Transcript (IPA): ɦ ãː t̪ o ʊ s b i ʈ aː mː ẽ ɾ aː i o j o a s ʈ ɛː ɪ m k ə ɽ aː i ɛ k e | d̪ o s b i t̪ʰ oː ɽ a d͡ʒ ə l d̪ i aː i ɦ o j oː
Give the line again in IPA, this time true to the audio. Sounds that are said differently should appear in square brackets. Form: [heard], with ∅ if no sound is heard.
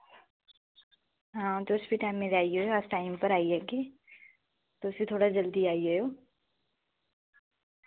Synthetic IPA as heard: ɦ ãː t̪ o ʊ s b i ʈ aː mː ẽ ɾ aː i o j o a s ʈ [aː] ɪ m [p] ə [ɾ] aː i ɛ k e | [t̪] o s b i t̪ʰ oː ɽ a d͡ʒ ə l d̪ i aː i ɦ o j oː